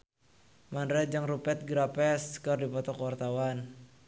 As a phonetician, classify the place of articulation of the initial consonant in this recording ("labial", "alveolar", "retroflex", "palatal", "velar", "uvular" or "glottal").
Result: labial